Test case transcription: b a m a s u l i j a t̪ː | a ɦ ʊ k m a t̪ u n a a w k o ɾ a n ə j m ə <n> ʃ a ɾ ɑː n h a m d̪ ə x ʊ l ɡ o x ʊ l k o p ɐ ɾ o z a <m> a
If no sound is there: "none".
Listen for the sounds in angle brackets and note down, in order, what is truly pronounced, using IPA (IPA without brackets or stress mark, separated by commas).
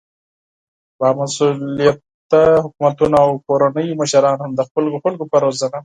none, n